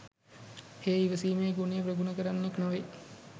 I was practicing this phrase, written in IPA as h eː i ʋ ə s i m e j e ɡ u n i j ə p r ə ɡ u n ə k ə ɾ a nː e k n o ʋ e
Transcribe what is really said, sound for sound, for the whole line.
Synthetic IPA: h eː i ʋ ə s iː m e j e ɡ u n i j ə p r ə ɡ u n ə k ə ɾ a nː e k n o ʋ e